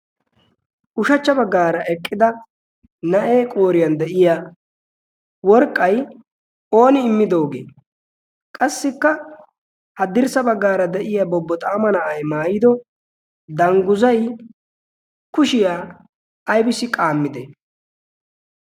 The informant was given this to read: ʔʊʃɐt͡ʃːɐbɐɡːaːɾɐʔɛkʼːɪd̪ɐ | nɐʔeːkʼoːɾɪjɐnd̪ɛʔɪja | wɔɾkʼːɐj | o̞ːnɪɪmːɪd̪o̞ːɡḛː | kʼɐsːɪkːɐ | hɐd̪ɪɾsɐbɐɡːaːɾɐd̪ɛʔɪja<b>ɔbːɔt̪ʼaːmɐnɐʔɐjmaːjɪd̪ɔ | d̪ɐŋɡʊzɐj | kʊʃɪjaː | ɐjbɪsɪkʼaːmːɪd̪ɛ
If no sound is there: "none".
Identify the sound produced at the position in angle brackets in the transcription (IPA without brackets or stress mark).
b